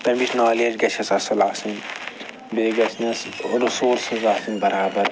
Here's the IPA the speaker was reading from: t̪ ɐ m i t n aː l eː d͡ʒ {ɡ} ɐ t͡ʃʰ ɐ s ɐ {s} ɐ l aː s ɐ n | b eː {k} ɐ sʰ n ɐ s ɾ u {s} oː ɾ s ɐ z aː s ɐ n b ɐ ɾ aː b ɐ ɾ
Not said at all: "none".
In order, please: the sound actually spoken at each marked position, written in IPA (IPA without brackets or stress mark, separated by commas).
ɡ, s, ɡ, s